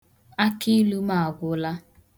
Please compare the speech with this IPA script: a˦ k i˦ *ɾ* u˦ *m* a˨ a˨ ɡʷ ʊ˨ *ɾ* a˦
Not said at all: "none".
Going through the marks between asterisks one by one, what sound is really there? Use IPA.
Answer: l, m, l

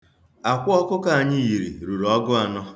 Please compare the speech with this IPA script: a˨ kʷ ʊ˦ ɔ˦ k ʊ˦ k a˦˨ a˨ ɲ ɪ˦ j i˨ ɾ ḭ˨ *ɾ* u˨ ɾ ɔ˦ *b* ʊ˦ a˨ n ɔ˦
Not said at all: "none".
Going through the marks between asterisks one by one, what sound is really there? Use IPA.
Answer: ɾ, ɡ

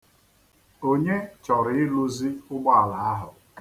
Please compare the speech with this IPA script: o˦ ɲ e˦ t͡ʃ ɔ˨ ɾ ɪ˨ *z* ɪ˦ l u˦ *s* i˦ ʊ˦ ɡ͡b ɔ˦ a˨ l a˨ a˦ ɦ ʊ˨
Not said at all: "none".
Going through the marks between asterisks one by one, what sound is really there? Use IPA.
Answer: none, z

